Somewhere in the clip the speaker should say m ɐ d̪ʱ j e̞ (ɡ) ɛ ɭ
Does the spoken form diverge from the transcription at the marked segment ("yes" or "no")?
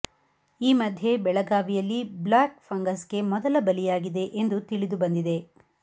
yes